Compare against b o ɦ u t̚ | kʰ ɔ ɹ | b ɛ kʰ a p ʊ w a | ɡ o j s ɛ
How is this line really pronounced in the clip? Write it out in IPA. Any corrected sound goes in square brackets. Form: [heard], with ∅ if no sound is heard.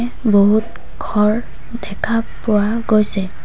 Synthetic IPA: b o ɦ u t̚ | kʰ ɔ ɹ | [d] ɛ kʰ a p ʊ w a | ɡ o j s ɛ